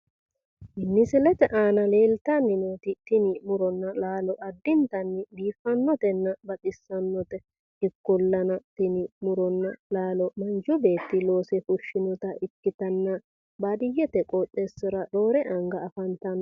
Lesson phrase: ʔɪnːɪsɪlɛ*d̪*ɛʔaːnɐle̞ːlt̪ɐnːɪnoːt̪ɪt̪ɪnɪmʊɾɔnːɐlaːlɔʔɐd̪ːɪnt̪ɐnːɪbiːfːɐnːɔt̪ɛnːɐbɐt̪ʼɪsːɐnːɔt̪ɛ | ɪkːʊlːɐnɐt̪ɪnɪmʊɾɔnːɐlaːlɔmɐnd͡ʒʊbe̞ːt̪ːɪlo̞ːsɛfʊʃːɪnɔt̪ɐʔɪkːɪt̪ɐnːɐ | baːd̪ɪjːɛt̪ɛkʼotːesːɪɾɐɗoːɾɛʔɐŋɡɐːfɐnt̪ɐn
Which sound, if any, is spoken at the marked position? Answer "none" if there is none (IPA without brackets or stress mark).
t̪